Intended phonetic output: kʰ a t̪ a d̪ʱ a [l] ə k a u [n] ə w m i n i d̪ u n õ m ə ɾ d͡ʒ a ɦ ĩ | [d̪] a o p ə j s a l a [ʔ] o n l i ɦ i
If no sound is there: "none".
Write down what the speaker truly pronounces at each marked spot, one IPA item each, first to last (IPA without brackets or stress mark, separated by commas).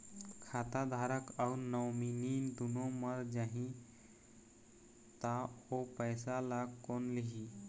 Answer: ɾ, n, t̪, k